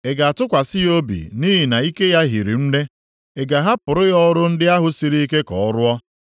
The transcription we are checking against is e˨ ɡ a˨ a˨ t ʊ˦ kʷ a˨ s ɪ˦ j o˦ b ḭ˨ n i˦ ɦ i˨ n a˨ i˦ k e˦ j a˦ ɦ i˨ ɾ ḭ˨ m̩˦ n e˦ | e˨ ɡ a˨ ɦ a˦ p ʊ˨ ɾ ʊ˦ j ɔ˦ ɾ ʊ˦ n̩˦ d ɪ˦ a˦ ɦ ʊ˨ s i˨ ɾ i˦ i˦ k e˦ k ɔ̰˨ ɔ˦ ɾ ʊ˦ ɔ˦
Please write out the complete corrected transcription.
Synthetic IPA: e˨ ɡ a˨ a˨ t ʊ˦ kʷ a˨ s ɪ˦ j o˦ b ḭ˨ n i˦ ɦ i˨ n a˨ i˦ k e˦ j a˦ ɦ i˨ ɾ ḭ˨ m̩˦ n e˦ | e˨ ɡ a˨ ɦ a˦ p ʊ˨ ɾ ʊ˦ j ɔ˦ ɾ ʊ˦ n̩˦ d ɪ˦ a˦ ɦ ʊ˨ s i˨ ɾ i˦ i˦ k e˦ k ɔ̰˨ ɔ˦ ɾ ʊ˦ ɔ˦